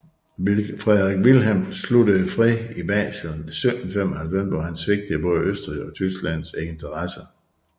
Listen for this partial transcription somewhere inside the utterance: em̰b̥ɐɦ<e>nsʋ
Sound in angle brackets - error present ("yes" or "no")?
yes